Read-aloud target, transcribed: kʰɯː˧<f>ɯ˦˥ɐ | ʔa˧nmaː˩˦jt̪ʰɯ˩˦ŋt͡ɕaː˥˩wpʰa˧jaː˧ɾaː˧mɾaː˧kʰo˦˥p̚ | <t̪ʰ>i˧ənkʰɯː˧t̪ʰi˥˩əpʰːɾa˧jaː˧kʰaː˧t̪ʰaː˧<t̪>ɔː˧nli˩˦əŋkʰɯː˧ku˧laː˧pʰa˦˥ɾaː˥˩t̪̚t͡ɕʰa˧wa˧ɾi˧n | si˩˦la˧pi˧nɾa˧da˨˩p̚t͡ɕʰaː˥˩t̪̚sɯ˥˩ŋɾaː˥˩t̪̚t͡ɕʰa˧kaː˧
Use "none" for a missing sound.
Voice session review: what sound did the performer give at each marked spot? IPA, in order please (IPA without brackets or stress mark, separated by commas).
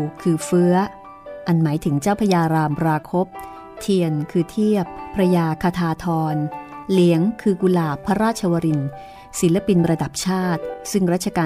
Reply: f, t̪ʰ, t̪ʰ